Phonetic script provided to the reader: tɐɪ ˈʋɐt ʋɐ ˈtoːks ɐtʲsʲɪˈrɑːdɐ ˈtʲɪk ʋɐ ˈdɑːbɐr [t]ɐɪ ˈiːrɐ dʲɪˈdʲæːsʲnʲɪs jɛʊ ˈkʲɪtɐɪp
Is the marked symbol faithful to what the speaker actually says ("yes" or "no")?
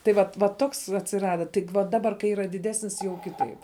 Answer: no